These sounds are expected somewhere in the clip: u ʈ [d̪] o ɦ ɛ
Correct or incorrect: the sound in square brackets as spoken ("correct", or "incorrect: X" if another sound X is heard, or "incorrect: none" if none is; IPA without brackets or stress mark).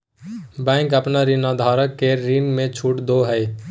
correct